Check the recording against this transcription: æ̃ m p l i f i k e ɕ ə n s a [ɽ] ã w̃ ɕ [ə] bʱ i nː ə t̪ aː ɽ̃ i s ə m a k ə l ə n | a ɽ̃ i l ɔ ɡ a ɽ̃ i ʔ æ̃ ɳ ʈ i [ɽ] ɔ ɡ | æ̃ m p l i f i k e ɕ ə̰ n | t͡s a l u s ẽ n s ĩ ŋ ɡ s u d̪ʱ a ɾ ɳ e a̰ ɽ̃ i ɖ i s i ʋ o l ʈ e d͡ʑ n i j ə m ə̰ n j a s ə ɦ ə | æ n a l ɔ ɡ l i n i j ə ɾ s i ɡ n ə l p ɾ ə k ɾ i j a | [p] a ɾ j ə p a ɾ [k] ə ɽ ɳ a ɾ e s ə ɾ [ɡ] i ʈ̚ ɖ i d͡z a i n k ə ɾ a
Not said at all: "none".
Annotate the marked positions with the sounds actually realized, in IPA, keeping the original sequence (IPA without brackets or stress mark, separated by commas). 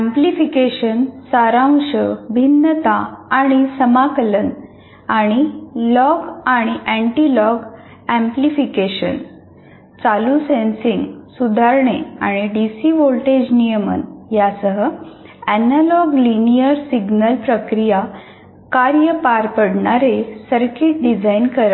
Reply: ɾ, ə, l, k, p, k